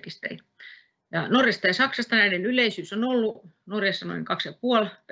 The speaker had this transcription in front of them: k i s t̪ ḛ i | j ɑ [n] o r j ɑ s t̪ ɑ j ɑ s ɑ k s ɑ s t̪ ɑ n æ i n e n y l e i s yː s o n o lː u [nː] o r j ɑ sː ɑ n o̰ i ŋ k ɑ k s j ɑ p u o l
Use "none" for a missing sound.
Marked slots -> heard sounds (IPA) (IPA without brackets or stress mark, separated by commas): n, n